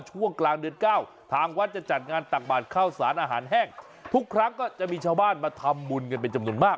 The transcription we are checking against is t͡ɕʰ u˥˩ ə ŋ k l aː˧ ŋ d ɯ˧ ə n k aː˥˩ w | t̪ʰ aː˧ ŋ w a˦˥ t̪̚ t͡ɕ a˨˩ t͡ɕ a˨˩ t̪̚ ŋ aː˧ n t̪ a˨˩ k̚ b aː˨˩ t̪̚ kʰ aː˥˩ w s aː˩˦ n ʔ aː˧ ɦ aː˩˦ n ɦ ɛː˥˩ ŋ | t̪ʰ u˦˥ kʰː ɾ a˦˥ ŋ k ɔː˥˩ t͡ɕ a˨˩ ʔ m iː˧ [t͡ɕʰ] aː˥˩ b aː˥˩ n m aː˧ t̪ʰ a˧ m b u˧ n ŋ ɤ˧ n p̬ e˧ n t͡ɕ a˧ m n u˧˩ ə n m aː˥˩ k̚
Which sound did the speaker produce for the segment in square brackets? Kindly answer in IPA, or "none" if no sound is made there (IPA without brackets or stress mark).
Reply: t͡ɕʰ